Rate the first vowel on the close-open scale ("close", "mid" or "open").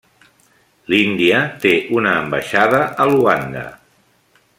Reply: close